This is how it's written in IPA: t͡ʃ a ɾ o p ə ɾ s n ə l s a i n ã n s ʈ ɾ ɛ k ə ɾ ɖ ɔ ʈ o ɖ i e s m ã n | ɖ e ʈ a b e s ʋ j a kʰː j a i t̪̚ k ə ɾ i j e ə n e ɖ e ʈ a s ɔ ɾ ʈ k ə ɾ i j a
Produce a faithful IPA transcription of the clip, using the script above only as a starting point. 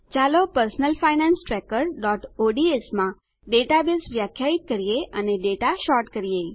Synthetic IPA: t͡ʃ a l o p ə ɾ s n ə l f a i n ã n s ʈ ɾ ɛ k ə ɾ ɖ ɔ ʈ o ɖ i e s m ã | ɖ e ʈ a b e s ʋ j a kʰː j a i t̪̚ k ə ɾ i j e ə n e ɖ e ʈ a ʃ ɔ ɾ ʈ k ə ɾ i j e